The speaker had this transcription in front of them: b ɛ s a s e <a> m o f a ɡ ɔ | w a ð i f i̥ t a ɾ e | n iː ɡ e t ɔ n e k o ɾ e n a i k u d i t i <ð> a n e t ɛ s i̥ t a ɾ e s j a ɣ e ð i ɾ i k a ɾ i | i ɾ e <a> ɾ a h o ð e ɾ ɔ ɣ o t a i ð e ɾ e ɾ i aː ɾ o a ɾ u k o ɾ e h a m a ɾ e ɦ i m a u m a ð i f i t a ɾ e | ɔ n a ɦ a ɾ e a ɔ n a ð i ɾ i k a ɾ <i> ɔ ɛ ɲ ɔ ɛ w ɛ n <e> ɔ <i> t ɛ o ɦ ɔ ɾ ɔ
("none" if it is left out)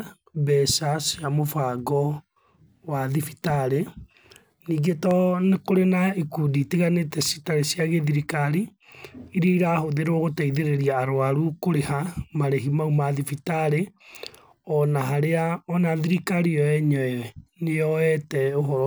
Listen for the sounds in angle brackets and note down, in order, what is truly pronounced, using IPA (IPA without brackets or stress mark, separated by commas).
a, ɣ, i, i, e, ɛ